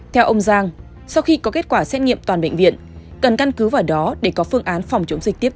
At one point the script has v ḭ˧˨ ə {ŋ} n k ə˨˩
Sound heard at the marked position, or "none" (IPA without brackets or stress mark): none